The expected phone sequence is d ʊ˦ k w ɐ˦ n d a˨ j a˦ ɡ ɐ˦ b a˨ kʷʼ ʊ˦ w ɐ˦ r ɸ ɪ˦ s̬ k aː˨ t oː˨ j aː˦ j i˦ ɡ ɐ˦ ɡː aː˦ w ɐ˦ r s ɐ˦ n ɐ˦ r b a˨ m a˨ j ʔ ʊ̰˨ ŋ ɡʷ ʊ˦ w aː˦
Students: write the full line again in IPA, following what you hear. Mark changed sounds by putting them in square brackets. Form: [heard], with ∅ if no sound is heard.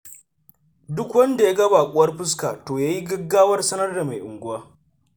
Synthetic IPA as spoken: d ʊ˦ k w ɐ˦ n d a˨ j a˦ ɡ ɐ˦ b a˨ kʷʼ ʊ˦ w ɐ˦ r ɸ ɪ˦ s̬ k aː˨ t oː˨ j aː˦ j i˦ ɡ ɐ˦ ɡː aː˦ w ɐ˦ r s ɐ˦ n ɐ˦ r [d] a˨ m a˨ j ʔ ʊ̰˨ ŋ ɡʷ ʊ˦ w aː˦